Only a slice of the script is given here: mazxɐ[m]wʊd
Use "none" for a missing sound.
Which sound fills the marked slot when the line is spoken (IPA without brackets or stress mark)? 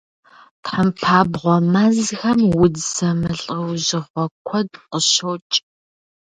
m